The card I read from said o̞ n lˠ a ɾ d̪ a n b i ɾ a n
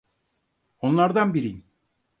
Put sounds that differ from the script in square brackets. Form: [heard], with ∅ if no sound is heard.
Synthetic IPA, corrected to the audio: o̞ n lˠ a ɾ d̪ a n b i ɾ [i] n